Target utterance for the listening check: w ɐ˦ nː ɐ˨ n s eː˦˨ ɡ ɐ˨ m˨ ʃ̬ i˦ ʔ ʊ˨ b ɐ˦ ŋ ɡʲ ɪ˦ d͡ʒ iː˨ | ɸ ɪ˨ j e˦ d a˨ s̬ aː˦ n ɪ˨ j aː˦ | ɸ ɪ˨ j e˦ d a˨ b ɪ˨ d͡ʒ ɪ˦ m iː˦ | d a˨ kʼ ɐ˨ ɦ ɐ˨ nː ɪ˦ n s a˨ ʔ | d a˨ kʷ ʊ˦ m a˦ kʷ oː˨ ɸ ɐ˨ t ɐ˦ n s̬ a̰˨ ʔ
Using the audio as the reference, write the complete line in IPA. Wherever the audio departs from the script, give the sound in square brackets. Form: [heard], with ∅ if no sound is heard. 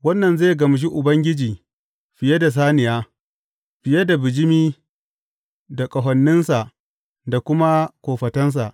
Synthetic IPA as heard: w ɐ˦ nː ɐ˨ n [z] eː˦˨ ɡ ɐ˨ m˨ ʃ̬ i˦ ʔ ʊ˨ b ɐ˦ ŋ ɡʲ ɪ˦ d͡ʒ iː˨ | ɸ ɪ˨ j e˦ d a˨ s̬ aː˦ n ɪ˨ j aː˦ | ɸ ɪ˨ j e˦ d a˨ b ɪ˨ d͡ʒ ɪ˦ m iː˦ | d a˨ kʼ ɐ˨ ɦ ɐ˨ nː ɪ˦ n s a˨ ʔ | d a˨ kʷ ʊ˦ m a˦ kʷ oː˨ ɸ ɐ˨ t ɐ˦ n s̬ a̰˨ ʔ